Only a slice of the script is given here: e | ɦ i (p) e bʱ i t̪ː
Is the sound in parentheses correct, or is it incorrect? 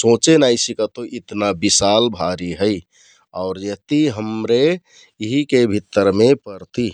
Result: incorrect